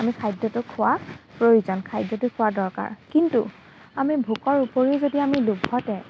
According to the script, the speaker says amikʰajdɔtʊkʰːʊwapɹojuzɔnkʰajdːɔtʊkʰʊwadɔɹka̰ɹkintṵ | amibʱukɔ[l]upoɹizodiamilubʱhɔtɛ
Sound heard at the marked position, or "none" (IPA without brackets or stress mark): ɹ